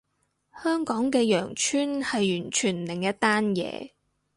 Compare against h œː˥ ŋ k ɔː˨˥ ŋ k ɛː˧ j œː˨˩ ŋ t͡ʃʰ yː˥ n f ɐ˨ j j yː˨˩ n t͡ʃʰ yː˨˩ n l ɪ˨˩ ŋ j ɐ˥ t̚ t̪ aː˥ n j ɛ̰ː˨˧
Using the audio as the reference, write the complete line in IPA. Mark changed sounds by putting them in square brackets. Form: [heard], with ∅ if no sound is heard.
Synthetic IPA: h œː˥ ŋ k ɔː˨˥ ŋ k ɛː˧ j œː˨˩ ŋ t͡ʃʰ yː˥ n [h] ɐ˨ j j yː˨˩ n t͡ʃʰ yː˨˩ n l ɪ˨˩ ŋ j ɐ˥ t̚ t̪ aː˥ n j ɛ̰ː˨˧